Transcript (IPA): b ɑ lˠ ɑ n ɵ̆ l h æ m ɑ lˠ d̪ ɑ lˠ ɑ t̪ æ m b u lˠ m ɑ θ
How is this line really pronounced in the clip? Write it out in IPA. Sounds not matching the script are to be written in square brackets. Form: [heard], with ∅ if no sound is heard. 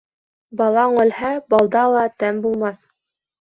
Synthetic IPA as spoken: b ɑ lˠ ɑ [ɴ] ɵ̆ l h æ [b] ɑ lˠ d̪ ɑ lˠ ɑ t̪ æ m b u lˠ m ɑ θ